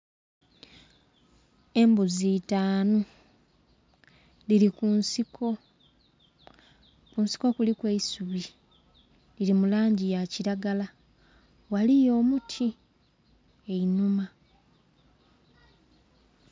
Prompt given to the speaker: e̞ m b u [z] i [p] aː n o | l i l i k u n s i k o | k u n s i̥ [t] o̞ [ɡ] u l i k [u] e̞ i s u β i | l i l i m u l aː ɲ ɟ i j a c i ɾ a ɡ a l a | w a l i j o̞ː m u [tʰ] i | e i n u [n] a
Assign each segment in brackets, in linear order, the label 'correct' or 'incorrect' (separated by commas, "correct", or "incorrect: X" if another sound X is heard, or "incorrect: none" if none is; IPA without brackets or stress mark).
correct, incorrect: t, incorrect: k, incorrect: k, incorrect: w, correct, incorrect: m